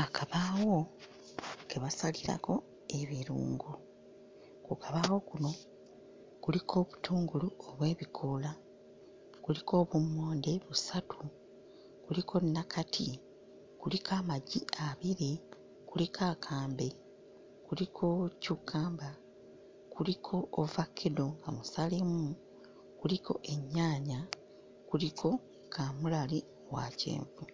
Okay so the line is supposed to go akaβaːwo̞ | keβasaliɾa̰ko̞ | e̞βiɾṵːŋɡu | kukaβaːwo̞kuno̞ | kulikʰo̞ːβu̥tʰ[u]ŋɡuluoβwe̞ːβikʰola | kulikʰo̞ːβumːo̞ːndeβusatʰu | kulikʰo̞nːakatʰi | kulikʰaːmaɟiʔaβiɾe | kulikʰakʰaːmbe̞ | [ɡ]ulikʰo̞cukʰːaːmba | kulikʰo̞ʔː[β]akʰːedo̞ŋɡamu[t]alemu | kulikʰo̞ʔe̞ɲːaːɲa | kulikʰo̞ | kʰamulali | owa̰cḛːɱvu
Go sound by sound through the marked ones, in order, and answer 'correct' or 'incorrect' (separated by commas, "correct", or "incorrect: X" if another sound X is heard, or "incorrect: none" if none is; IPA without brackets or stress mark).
incorrect: uː, incorrect: k, incorrect: v, incorrect: s